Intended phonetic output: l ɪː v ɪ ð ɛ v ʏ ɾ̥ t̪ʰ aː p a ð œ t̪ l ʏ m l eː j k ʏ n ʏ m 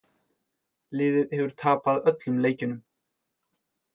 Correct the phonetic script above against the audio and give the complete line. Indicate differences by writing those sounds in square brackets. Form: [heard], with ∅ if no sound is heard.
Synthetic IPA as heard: l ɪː [ð] ɪ ð ɛ v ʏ ɾ̥ t̪ʰ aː p a ð œ t̪ l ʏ m l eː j [c] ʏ n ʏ m